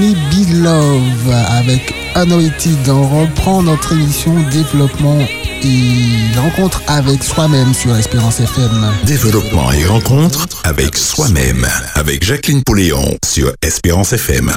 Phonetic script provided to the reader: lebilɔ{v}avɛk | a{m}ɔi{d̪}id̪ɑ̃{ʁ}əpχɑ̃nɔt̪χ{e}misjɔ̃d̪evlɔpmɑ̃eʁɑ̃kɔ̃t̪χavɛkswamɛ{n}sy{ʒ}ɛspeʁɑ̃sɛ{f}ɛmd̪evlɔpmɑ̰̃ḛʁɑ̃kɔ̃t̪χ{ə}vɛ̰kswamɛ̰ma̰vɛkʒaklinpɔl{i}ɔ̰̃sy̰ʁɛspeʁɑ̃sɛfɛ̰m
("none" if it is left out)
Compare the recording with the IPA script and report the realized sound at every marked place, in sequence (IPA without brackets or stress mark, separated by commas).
v, n, t̪, ʁ, e, m, ʁ, f, a, e